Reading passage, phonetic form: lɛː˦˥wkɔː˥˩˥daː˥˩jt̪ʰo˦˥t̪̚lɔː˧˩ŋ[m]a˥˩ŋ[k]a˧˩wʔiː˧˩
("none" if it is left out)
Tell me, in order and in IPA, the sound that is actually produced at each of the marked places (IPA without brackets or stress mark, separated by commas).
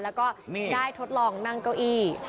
n, k